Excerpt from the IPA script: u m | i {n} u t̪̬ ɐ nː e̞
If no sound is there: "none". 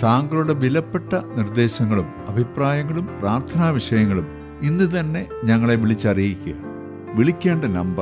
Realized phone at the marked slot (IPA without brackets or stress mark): nː